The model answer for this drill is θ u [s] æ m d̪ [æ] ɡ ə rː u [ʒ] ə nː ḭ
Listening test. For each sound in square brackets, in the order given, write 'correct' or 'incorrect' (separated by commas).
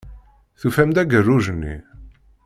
incorrect, correct, correct